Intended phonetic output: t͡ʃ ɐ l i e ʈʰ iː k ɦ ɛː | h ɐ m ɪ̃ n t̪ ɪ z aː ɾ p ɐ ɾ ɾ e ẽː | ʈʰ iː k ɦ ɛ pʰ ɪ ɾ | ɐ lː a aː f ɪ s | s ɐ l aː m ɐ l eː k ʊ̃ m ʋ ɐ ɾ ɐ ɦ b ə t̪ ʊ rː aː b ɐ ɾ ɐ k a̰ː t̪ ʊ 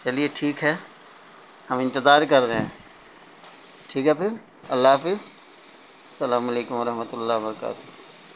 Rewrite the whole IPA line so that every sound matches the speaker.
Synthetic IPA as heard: t͡ʃ ɐ l i e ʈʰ iː k ɦ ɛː | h ɐ m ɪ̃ n t̪ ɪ z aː ɾ k ɐ ɾ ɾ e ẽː | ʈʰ iː k ɦ ɛ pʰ ɪ ɾ | ɐ lː a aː f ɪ z | s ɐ l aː m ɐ l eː k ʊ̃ m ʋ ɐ ɾ ɐ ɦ m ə t̪ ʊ lː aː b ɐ ɾ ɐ k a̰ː t̪ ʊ